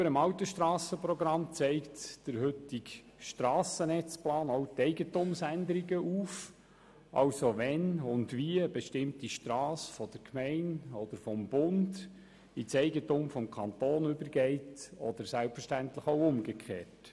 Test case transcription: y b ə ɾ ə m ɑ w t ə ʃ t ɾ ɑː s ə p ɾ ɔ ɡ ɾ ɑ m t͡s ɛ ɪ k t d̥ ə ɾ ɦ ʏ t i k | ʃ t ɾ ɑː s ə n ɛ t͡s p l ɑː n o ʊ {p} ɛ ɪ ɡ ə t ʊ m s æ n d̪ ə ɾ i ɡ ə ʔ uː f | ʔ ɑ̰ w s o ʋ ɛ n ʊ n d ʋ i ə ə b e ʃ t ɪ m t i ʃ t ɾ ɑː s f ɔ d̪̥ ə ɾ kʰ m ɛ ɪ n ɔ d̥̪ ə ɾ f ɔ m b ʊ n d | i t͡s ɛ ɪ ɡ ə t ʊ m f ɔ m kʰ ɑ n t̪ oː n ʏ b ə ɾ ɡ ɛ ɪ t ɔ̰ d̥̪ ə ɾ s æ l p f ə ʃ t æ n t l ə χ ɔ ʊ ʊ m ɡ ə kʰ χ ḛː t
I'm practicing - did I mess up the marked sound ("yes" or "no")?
yes